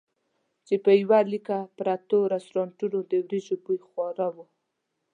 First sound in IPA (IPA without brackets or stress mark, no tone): t͡ʃ